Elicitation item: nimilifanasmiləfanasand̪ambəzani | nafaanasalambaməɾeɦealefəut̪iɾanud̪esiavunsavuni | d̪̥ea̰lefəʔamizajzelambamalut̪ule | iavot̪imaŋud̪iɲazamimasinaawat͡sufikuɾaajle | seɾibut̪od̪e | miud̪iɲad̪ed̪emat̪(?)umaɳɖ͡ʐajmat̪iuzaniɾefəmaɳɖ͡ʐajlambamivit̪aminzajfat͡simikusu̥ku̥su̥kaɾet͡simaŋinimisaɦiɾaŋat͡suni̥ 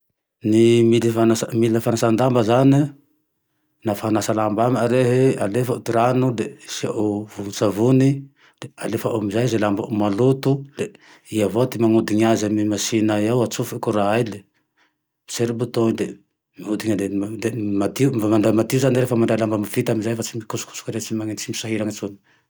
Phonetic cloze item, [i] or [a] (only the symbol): i